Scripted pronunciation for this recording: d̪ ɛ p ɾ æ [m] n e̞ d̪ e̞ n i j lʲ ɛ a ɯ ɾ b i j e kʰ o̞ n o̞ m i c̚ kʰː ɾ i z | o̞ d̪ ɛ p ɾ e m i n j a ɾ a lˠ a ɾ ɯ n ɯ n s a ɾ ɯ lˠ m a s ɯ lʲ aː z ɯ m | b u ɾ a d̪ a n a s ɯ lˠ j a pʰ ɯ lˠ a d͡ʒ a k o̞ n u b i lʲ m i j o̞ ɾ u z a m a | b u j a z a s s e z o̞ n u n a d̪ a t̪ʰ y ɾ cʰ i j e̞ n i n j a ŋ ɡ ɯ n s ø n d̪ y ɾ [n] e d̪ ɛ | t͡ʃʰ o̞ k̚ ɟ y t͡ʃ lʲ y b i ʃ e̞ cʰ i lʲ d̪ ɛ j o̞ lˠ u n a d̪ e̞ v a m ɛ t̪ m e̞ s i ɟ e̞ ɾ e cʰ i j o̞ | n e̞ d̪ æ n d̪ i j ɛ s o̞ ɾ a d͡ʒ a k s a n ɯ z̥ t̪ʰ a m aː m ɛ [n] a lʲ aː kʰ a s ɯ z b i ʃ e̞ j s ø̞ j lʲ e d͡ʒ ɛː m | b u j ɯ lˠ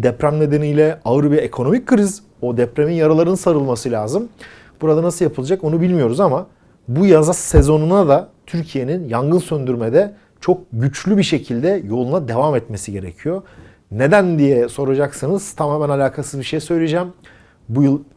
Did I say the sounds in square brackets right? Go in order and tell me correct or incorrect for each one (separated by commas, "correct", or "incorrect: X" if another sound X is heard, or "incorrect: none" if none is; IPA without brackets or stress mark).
correct, incorrect: m, correct